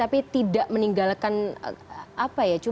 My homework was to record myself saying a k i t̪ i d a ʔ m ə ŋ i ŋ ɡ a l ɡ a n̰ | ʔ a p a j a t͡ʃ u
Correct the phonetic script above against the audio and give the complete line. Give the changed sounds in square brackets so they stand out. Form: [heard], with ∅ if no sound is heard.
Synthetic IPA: a [p] i t̪ i d a ʔ m ə [n] i ŋ ɡ a l [k] a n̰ | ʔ a p a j a t͡ʃ u

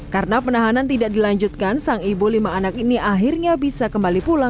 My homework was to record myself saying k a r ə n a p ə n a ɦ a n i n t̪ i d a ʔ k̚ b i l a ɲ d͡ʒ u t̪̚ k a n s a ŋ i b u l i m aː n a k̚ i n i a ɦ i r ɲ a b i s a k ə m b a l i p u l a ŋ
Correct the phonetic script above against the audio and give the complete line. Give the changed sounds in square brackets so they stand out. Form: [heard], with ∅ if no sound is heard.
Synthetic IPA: k a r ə n a p ə n a ɦ a n [a] n t̪ i d a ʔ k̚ [d] i l a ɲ d͡ʒ u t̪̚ k a n s a ŋ i b u l i m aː n a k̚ i n i a ɦ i r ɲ a b i s a k ə m b a l i p u l a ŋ

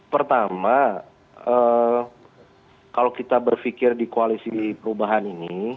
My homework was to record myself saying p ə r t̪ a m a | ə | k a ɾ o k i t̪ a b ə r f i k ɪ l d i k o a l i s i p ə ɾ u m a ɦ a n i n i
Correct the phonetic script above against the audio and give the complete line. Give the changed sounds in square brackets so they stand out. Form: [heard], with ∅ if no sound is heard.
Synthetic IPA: p ə r t̪ a m a | ə | k a [l] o k i t̪ a b ə r f i k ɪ [r] d i k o a l i s i p ə ɾ u [b] a ɦ a n i n i

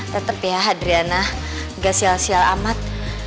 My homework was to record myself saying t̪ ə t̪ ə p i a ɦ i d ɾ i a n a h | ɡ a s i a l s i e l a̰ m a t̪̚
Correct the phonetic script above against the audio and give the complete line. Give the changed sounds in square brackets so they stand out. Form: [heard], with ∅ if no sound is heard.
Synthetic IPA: t̪ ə t̪ ə p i a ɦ [a] d ɾ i a n a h | ɡ a s i a l s i [a] l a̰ m a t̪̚

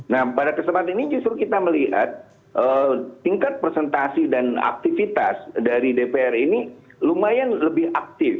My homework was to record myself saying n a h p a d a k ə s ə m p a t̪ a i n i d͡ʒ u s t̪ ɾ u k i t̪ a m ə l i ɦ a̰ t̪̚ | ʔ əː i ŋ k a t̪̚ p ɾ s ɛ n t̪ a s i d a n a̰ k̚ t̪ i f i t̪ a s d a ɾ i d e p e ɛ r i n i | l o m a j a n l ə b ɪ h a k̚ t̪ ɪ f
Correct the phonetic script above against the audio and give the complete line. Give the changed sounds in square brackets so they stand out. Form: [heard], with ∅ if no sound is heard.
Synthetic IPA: n a h p a d a k ə s ə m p a t̪ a i n i d͡ʒ u s t̪ ɾ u k i t̪ a m ə l i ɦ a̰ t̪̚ | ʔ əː i ŋ k a t̪̚ p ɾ s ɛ n t̪ a s i d a n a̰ k̚ t̪ i f i t̪ a s d a ɾ i d e p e ɛ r i n i | l [u] m a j a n l ə b ɪ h a k̚ t̪ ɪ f

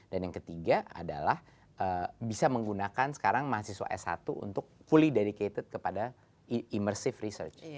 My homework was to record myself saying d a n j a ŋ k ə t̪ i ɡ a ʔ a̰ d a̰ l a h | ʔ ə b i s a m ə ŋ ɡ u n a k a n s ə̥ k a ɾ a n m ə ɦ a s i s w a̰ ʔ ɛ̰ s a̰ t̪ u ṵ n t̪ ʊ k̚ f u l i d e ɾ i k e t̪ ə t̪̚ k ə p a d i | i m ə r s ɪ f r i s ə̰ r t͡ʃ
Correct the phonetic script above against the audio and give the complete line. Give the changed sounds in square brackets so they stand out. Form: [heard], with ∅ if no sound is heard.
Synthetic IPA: d a n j a ŋ k ə t̪ i ɡ a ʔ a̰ d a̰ l a h | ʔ ə b i s a m ə ŋ ɡ u n a k a n s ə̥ k a ɾ a [ŋ] m [a] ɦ a s i s w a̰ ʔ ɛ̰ s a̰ t̪ u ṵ n t̪ ʊ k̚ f u l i d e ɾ i k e t̪ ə t̪̚ k ə p a d [a] | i m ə r s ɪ f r i s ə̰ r t͡ʃ

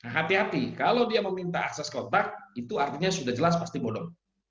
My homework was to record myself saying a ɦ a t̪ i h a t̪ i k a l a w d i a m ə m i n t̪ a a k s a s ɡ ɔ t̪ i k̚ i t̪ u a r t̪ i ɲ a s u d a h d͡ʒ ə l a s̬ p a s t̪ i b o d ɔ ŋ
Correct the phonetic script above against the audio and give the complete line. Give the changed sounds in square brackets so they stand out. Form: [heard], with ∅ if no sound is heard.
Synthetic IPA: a ɦ a t̪ i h a t̪ i k a l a w d i a m ə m i n t̪ a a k s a s [k] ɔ t̪ [a] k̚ i t̪ u a r t̪ i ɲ a s u d a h d͡ʒ ə l a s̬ p a s t̪ i b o d ɔ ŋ

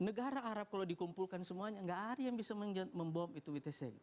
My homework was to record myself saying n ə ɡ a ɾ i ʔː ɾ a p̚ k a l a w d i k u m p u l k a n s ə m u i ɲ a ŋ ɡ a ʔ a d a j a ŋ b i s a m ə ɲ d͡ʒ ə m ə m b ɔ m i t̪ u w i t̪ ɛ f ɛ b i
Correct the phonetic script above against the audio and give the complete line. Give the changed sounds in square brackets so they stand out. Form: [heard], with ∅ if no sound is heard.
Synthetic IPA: n ə ɡ a ɾ [a] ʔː ɾ a p̚ k a l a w d i k u m p u l k a n s ə m u [a] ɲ a ŋ ɡ a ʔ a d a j a ŋ b i s a m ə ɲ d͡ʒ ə m ə m b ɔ m i t̪ u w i t̪ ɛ [s] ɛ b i

